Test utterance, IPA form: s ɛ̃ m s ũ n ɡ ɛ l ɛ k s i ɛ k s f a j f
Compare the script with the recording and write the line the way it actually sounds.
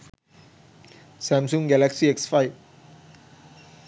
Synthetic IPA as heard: s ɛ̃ m s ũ ŋ ɡ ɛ l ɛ k s i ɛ k s f a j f